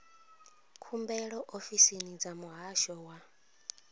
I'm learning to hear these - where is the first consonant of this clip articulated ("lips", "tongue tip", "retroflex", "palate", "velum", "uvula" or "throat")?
velum